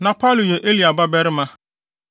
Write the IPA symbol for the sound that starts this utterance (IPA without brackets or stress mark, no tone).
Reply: n